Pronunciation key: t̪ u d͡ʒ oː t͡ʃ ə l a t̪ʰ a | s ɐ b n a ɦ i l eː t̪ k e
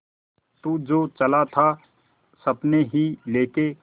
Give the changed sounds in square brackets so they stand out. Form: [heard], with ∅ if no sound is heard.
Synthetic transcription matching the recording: t̪ u d͡ʒ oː t͡ʃ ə l a t̪ʰ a | s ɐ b n [e] ɦ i l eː [∅] k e